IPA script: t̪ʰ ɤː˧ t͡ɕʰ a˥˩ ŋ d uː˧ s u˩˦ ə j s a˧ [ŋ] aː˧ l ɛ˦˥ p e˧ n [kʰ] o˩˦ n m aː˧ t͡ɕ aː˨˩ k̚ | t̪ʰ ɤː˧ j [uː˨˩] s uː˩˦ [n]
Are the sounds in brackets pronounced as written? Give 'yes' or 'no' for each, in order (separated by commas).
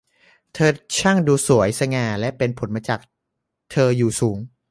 yes, no, yes, no